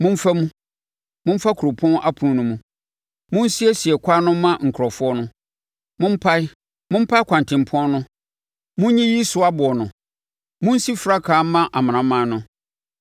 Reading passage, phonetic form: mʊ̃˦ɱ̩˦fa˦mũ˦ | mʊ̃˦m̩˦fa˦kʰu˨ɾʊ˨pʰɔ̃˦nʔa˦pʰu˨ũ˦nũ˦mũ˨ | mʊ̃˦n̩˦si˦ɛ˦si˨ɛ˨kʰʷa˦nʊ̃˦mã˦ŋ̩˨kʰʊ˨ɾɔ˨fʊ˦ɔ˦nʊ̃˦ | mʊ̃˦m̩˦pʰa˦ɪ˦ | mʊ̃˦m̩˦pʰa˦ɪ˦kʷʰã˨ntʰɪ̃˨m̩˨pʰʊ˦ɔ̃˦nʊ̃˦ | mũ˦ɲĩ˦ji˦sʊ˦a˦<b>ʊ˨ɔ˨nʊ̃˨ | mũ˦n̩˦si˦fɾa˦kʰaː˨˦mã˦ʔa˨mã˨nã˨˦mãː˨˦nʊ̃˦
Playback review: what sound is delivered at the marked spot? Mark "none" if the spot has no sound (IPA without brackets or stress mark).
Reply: b